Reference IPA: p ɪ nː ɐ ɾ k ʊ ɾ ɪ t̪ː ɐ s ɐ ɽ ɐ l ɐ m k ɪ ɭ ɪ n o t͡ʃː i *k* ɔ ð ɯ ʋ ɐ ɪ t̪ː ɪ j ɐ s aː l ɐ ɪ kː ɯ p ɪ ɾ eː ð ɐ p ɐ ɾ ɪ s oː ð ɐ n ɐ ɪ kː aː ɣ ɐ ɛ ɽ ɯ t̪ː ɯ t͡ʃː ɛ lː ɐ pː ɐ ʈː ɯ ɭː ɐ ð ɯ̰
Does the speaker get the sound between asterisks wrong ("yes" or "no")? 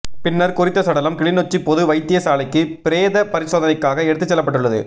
yes